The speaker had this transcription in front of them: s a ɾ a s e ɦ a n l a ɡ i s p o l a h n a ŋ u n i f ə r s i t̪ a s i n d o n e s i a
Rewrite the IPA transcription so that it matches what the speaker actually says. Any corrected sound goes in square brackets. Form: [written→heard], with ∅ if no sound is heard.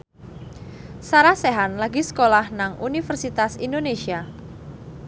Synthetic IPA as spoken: s a ɾ a s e ɦ a n l a ɡ i s [p→k] o l a h n a ŋ u n i f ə r s i t̪ a s i n d o n e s i a

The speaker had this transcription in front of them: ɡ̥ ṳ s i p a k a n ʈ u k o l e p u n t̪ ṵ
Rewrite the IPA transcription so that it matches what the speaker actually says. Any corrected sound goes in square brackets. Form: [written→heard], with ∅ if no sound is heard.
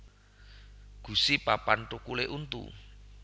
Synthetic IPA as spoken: ɡ̥ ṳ s i p a [k→p] a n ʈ u k [o→u] l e [p→ʔ] u n t̪ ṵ

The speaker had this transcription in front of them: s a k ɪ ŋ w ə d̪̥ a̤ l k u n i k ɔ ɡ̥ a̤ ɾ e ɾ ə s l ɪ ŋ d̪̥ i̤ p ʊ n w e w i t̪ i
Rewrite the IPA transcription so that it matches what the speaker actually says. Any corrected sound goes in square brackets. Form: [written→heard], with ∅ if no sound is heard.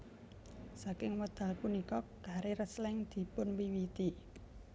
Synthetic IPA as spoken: s a k ɪ ŋ w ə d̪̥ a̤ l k u n i k ɔ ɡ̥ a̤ ɾ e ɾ ə s l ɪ ŋ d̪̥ i̤ p ʊ n w [e→i] w i t̪ i

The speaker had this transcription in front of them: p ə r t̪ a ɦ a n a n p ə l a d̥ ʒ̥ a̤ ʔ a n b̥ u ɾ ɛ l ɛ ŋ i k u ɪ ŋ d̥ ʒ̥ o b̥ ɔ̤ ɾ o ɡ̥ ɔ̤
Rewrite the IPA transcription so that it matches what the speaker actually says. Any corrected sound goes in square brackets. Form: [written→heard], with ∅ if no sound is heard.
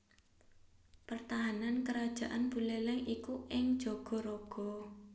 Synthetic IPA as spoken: p ə r t̪ a ɦ a n a n [p→k] ə [l→ɾ] a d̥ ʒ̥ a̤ ʔ a n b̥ u [ɾ→l] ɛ l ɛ ŋ i k u ɪ ŋ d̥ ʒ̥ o [b̥→ɡ̥] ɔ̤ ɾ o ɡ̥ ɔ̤

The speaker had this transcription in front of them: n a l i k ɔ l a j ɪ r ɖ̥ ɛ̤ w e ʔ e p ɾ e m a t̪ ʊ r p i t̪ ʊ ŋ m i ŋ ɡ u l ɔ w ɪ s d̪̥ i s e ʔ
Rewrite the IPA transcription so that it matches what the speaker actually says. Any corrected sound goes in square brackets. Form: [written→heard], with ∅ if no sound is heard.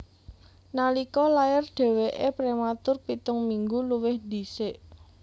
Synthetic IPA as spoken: n a l i k ɔ l a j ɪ r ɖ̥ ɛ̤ w e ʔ e p ɾ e m a t̪ ʊ r p i t̪ ʊ ŋ m i ŋ ɡ u l [ɔ→u] w ɪ [s→h] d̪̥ i s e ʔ

